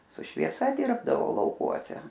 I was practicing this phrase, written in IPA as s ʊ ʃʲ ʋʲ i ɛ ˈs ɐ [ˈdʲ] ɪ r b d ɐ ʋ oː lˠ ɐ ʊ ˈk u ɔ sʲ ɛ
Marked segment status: correct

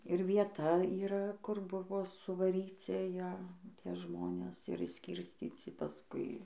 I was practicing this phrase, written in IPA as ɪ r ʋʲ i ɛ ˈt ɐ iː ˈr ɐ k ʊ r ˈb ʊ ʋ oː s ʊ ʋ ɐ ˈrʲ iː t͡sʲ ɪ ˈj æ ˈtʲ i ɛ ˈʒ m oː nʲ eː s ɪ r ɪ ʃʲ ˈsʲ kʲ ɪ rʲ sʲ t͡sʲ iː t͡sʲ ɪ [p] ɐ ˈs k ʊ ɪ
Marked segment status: correct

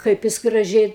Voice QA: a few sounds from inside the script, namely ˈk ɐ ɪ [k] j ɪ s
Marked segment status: incorrect: p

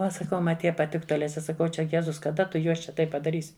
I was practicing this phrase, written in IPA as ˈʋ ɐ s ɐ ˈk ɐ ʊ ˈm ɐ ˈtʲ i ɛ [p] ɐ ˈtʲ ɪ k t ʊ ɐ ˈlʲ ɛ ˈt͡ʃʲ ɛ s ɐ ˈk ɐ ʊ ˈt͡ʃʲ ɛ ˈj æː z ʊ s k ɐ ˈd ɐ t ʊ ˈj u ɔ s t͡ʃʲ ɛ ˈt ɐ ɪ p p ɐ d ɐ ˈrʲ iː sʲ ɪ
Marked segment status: correct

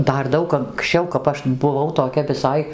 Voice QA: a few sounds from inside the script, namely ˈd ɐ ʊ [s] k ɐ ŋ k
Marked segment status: incorrect: none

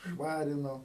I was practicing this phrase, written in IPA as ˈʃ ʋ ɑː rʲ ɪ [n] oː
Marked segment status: correct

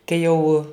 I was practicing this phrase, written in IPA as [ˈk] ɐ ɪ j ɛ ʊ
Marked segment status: correct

